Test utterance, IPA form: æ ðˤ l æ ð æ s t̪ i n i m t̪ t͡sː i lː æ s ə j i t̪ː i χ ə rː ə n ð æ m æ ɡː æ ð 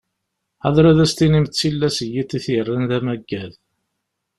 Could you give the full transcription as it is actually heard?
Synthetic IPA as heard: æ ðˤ ɾ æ ð æ s t̪ i n i m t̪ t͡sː i lː æ s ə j i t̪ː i θ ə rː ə n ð æ m æ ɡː æ ð